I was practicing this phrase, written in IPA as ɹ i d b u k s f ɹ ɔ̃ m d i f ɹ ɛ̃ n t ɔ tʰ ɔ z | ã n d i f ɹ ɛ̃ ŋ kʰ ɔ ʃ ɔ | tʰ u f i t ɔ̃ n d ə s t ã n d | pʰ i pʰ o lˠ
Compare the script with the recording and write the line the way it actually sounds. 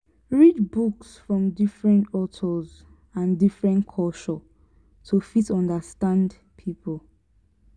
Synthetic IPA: ɹ i d b u k s f ɹ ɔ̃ m d i f ɹ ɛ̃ n t ɔ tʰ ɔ z | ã n d i f ɹ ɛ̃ n kʰ ɔ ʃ ɔ | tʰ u f i t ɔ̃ n d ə s t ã n d | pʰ i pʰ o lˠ